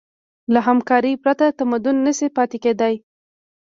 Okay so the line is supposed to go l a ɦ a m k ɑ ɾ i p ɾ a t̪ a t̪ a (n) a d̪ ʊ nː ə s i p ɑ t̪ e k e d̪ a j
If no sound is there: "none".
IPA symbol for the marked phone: m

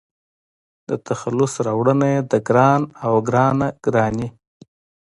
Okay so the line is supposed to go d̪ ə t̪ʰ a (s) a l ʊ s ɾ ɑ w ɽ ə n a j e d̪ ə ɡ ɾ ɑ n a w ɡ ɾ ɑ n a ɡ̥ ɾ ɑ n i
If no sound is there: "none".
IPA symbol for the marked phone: x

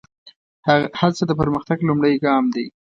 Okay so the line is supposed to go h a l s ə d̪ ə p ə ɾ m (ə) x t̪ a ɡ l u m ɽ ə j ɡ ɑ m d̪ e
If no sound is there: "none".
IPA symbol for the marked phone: ə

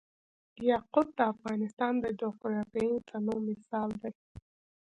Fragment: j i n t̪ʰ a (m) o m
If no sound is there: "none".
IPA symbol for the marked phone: n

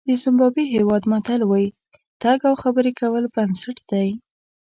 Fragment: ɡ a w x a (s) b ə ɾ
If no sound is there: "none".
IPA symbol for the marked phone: none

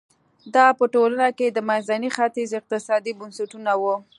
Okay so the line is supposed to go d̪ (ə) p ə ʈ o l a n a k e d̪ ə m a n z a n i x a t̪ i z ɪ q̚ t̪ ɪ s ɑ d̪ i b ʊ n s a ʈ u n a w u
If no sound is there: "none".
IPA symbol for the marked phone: ɑ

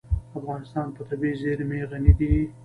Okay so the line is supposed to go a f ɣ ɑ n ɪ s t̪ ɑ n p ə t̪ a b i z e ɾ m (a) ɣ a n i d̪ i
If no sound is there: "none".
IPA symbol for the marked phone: e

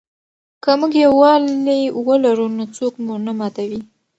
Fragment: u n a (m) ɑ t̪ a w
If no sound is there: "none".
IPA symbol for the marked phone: m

